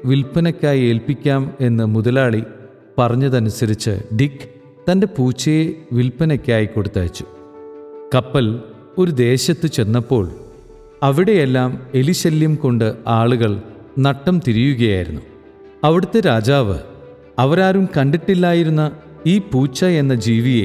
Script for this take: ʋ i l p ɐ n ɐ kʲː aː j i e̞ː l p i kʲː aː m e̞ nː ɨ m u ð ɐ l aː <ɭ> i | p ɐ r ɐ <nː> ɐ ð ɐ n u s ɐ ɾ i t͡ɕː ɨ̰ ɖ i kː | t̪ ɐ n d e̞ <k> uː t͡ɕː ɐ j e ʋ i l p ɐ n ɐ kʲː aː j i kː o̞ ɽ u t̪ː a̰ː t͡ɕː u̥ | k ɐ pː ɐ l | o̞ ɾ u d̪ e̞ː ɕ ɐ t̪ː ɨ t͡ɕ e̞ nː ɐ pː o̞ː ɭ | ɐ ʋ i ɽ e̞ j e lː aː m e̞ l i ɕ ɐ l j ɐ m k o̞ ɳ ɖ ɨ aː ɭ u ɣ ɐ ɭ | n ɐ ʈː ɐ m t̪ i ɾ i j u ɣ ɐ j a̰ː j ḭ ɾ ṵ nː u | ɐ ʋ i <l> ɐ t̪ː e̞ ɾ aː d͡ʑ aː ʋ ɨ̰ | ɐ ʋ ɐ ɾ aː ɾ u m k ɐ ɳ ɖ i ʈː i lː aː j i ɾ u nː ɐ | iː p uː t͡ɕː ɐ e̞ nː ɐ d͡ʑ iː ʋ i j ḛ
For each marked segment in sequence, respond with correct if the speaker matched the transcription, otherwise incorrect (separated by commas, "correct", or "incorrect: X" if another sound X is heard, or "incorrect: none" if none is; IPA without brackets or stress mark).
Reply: correct, incorrect: ɲː, incorrect: p, incorrect: ɽ